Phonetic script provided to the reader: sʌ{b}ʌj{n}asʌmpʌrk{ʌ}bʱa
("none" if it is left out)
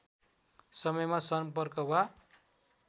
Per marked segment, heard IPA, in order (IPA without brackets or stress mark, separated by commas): m, m, ʌ